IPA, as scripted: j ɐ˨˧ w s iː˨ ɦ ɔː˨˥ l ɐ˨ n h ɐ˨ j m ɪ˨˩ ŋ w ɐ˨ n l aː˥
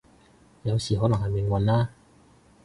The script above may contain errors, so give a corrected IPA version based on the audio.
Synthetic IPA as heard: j ɐ˨˧ w s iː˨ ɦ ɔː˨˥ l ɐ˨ ŋ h ɐ˨ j m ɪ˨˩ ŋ w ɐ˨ n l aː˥